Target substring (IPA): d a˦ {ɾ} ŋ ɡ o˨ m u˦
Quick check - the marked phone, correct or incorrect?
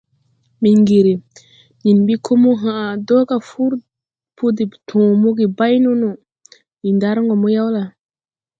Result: correct